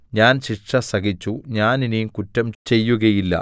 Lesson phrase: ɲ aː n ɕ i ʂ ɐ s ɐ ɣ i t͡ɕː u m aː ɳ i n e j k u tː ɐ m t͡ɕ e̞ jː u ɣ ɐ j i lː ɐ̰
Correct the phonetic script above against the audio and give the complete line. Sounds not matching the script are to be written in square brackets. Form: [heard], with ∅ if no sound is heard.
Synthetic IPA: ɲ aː n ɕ i ʂ ɐ s ɐ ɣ i t͡ɕː u [ɲ] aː [n] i n [i] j k u tː ɐ m t͡ɕ e̞ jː u ɣ ɐ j i lː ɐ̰